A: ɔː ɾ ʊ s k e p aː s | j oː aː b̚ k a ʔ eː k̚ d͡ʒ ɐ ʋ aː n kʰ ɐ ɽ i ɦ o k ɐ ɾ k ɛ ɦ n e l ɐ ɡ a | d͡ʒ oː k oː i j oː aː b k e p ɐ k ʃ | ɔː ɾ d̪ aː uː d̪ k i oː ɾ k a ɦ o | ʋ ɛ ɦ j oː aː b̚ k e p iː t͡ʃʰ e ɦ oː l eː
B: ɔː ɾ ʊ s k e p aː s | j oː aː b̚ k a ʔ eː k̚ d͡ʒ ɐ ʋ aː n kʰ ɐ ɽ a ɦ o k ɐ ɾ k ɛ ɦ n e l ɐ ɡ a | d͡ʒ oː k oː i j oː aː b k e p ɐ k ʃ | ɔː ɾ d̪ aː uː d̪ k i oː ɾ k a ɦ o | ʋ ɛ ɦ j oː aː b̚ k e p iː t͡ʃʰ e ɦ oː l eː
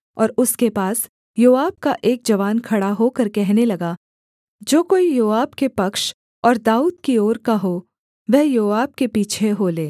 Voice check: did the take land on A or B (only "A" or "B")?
B